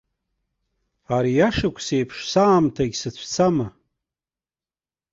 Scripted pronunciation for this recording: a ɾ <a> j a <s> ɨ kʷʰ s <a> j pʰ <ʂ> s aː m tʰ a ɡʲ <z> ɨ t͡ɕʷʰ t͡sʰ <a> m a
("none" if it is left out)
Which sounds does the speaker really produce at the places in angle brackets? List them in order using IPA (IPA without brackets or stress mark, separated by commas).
i, ʂ, e, ʂ, s, a